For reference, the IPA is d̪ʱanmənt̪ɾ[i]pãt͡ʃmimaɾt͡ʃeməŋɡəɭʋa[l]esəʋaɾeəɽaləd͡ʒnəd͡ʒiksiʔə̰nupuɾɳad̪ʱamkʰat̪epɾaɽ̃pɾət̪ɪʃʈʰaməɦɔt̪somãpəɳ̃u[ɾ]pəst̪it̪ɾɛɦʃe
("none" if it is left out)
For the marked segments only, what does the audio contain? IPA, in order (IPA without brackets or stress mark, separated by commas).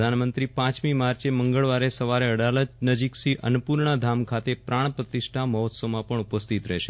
i, ɾ, none